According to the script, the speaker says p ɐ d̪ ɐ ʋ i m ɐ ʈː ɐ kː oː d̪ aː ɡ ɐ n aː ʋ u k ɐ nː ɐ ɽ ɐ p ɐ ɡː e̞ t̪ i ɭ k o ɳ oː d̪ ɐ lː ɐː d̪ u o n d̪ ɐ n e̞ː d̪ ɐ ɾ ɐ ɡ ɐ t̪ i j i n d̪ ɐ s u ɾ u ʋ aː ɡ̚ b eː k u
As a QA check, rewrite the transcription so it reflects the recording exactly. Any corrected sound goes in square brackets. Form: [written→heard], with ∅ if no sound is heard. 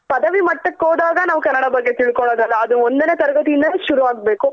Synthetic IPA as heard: p ɐ d̪ ɐ ʋ i m ɐ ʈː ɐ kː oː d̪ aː ɡ ɐ n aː ʋ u k ɐ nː ɐ ɽ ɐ [p→b] ɐ ɡː e̞ t̪ i ɭ k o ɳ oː d̪ ɐ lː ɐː d̪ u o n d̪ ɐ n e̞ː [d̪→t̪] ɐ ɾ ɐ ɡ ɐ t̪ i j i n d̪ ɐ [s→ʃ] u ɾ u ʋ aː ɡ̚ b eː k u